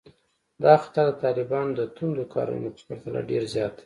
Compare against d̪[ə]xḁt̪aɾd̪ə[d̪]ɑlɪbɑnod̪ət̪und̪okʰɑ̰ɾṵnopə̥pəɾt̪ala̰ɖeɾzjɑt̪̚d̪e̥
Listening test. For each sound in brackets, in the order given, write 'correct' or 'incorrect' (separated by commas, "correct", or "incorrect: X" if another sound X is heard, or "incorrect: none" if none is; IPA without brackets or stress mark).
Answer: incorrect: ɑ, incorrect: t̪